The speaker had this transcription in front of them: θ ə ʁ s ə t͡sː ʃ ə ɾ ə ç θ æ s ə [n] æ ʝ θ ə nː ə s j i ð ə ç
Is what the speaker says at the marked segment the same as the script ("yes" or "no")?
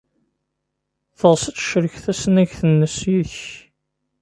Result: yes